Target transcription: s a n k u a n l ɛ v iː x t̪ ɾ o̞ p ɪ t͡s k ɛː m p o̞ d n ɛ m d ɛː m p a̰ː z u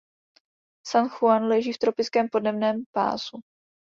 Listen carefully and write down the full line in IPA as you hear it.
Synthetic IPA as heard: s a n x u a n l ɛ ʒ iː f t̪ ɾ o̞ p ɪ t͡s k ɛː m p o̞ d n ɛ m n ɛː m p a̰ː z u

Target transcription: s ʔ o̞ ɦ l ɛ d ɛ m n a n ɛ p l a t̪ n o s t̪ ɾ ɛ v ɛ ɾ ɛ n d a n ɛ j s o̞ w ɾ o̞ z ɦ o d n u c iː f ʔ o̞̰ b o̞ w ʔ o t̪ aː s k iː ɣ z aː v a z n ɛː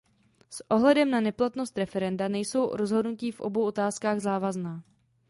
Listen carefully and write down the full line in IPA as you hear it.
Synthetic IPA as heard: s ʔ o̞ ɦ l ɛ d ɛ m n a n ɛ p l a t̪ n o s t̪ ɾ ɛ f ɛ ɾ ɛ n d a n ɛ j s o̞ w ɾ o̞ z ɦ o d n u c iː f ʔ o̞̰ b o̞ w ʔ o t̪ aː s k aː ɣ z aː v a z n aː

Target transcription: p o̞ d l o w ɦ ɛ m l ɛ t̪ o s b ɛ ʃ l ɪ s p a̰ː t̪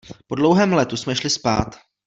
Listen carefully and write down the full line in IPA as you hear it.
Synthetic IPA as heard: p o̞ d l o w ɦ ɛː m l ɛ t̪ u s m ɛ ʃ l ɪ s p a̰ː t̪

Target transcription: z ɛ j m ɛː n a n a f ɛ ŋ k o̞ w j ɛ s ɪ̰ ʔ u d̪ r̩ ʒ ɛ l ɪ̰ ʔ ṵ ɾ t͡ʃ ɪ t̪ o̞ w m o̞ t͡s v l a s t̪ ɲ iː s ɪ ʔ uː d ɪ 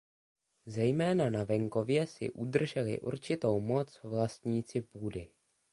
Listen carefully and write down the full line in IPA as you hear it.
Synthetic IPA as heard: z ɛ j m ɛː n a n a v ɛ ŋ k o̞ v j ɛ s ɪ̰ ʔ u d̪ r̩ ʒ ɛ l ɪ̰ ʔ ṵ ɾ t͡ʃ ɪ t̪ o̞ w m o̞ t͡s v l a s t̪ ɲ iː t͡s ɪ p uː d ɪ

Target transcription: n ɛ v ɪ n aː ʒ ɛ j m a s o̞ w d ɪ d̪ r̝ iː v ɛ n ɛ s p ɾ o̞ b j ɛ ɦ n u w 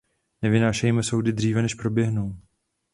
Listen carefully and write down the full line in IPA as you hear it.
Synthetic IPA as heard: n ɛ v ɪ n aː ʃ ɛ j m ɛ s o̞ w d ɪ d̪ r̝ iː v ɛ n ɛ ʃ p ɾ o̞ b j ɛ ɦ n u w

